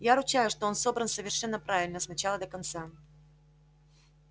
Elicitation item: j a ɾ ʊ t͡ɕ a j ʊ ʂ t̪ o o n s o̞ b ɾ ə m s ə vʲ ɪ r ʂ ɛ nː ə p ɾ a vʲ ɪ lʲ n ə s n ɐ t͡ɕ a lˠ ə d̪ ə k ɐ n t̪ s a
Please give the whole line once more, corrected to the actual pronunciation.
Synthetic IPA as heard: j a ɾ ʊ t͡ɕ a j ʊ ʂ t̪ o o n s o̞ b ɾ ə n s ə vʲ ɪ r ʂ ɛ nː ə p ɾ a vʲ ɪ lʲ n ə s n ɐ t͡ɕ a lˠ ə d̪ ə k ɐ n t̪ s a